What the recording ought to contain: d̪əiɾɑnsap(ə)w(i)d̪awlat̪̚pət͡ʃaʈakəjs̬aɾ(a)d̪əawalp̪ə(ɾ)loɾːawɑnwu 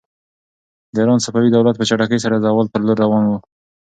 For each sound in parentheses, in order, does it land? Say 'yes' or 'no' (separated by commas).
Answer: no, yes, yes, yes